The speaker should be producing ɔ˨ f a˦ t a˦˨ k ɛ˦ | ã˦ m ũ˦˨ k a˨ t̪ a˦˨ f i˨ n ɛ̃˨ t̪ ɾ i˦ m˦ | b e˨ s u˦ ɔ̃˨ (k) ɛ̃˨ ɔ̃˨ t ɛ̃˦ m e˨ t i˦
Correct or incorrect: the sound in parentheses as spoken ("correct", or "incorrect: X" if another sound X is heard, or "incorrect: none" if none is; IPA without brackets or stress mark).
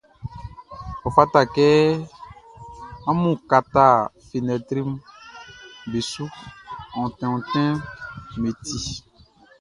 incorrect: t